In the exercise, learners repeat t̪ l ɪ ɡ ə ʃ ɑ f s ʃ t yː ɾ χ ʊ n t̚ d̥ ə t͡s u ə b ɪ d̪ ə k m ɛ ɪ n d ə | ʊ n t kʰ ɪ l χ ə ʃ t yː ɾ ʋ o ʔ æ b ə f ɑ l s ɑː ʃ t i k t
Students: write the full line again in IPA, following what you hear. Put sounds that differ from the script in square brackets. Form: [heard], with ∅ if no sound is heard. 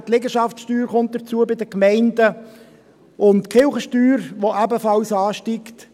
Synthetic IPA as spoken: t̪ l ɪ ɡ ə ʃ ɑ f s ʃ t yː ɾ χ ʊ n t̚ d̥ ə t͡s u ə b ɪ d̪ ə k m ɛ ɪ n d ə | ʊ n t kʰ ɪ l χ ə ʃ t yː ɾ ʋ o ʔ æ b ə f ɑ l s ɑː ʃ t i k t